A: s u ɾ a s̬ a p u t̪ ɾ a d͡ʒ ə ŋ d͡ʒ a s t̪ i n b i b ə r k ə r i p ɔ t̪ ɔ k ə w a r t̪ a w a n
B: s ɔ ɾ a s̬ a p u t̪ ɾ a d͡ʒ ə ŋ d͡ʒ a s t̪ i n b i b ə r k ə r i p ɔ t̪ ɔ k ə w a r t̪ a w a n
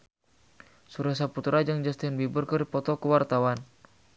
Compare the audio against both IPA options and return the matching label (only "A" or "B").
A